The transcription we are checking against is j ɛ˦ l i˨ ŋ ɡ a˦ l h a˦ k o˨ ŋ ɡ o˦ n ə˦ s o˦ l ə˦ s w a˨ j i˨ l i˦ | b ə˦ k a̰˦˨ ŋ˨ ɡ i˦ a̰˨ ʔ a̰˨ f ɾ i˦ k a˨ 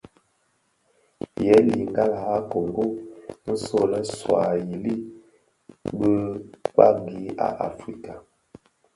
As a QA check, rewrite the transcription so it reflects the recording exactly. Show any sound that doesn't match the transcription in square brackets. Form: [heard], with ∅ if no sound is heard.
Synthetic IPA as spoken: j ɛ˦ l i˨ ŋ ɡ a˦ l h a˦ k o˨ ŋ ɡ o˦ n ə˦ s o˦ l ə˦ s w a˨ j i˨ l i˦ | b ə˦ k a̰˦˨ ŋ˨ ɡ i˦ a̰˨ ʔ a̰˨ f ɾ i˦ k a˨